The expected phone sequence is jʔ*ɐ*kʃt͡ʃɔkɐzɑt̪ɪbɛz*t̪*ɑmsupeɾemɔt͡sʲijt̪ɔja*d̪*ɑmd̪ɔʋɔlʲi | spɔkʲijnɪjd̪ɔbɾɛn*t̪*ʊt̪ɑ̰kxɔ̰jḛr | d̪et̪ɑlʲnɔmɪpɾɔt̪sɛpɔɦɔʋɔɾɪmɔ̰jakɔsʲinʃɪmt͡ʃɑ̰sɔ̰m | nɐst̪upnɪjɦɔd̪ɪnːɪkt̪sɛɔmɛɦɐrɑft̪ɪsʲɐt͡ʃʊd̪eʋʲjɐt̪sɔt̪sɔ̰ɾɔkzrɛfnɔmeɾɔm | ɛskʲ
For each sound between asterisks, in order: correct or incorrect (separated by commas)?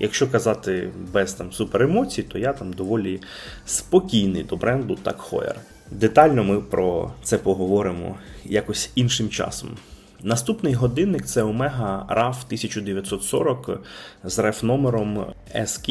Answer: correct, correct, incorrect, incorrect